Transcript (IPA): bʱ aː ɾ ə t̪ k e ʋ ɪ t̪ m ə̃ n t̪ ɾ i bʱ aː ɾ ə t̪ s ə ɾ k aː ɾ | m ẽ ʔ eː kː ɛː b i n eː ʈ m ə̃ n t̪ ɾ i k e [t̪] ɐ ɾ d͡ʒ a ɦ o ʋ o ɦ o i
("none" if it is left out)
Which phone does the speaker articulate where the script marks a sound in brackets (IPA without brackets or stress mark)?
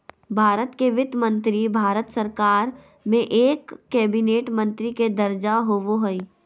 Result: d̪